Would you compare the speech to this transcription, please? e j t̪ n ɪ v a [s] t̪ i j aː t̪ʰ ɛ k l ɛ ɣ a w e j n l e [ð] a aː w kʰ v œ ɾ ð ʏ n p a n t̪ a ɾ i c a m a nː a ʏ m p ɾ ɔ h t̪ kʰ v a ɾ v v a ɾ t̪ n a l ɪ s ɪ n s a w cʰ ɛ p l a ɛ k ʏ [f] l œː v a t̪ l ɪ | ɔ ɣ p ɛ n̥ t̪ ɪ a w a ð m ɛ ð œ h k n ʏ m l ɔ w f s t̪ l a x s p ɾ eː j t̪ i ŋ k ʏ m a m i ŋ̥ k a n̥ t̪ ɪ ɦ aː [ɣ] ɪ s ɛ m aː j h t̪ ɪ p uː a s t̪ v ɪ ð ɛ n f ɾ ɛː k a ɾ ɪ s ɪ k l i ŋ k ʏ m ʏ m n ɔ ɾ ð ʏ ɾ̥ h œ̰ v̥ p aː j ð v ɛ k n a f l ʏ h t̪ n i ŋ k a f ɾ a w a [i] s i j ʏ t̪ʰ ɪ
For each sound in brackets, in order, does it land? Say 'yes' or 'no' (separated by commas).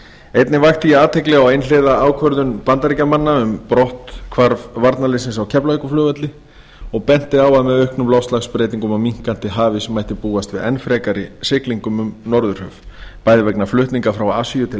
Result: no, yes, yes, no, no